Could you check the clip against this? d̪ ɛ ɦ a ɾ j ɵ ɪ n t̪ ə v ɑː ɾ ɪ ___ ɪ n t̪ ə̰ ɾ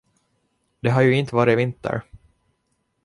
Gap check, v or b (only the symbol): v